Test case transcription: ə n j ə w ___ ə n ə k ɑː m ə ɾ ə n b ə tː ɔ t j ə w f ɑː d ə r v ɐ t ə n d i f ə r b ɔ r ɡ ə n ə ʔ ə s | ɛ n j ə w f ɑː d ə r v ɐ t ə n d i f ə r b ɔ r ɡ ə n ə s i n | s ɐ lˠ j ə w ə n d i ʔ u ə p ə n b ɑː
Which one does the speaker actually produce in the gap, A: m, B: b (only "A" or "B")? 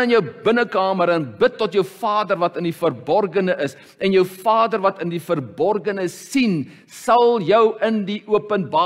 B